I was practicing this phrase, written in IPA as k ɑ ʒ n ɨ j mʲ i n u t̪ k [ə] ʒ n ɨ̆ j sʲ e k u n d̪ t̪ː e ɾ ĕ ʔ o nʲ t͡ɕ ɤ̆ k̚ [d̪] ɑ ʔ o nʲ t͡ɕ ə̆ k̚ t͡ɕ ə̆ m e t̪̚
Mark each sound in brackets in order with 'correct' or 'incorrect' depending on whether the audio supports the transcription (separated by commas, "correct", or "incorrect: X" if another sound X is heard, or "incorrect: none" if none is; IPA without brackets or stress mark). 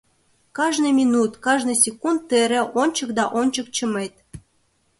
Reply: incorrect: ɑ, correct